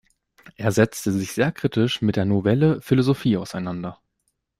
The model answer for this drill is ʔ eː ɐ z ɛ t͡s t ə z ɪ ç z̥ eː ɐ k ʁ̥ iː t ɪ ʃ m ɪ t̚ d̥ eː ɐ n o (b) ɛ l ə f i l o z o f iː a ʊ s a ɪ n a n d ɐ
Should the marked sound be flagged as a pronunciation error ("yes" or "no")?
yes